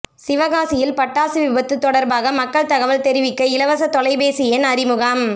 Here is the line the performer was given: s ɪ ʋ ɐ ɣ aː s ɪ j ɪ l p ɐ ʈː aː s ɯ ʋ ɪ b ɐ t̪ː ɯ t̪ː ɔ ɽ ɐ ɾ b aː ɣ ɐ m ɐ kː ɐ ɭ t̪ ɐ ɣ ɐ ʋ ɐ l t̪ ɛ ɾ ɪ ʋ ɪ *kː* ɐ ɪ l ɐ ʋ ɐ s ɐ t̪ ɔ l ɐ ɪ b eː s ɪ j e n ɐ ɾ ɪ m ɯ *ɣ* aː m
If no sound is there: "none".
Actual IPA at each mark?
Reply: kː, ɣ

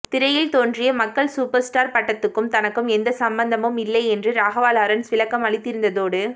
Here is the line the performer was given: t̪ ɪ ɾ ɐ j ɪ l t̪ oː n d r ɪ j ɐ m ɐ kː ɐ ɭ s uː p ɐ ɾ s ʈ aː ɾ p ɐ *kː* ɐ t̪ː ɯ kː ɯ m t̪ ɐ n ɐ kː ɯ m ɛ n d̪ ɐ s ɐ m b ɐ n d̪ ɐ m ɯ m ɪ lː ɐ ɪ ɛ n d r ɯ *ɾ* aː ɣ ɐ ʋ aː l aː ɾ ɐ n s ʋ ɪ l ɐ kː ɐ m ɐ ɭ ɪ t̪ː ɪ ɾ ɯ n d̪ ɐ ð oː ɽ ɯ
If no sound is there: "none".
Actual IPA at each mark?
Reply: ʈː, ɾ

